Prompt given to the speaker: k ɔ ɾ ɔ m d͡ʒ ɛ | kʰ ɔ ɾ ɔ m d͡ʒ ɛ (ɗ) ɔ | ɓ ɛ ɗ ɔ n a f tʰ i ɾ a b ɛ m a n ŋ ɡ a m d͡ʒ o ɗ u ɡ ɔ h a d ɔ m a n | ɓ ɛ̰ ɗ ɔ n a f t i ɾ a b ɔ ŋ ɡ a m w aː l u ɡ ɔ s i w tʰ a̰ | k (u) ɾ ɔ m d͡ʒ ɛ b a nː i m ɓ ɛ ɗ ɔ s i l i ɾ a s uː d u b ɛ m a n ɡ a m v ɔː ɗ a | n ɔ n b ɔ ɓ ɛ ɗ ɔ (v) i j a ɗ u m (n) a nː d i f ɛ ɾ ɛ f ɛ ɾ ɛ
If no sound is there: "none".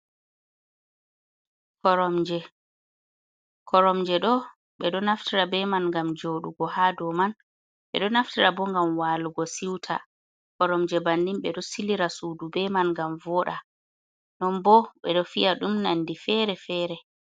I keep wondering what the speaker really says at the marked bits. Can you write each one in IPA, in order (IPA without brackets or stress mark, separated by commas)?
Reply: ɗ, ɔ, f, n